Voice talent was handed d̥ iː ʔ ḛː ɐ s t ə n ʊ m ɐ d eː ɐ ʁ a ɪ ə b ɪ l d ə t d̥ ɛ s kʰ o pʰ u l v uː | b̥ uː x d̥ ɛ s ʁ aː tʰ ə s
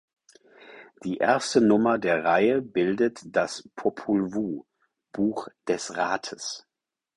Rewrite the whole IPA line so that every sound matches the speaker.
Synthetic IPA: d̥ iː ʔ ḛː ɐ s t ə n ʊ m ɐ d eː ɐ ʁ a ɪ ə b ɪ l d ə t d̥ a s pʰ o pʰ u l v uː | b̥ uː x d̥ ɛ s ʁ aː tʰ ə s